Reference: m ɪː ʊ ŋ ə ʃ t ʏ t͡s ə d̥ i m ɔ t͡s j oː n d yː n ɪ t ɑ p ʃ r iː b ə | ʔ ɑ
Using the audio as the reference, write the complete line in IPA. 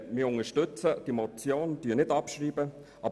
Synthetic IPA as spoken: m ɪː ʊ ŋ ə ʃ t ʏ t͡s ə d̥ i m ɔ t͡s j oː n d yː n ɪ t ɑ p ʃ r iː b ə | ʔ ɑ